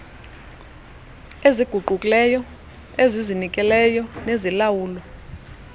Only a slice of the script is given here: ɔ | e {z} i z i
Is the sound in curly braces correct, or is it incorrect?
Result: correct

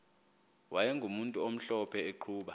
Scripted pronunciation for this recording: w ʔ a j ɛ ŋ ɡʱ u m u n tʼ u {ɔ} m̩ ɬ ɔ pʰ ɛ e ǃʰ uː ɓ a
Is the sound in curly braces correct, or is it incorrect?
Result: incorrect: o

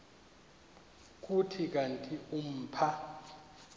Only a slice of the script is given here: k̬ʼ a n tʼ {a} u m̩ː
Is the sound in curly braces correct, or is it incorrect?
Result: incorrect: i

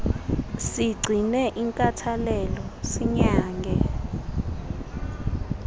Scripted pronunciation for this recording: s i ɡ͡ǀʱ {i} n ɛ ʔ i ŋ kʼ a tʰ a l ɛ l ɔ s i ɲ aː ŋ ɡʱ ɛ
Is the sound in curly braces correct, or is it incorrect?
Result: correct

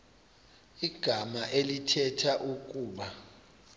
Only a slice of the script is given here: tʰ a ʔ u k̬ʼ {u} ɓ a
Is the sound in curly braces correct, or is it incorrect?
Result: incorrect: uː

